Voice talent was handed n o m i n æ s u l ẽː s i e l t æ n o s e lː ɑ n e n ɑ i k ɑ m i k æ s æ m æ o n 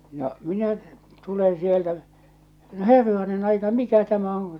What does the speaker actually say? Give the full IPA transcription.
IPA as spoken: n o m i n æ t u l ẽː s i e l t æ n o h e rː ɑ n e n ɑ i k ɑ m i k æ t æ m æ o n